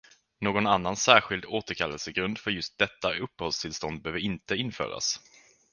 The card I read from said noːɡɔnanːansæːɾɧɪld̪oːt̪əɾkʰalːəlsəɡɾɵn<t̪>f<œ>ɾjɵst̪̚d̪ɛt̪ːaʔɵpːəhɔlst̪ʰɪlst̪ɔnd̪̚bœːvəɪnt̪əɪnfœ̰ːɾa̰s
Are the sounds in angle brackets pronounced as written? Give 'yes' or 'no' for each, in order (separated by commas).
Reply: no, yes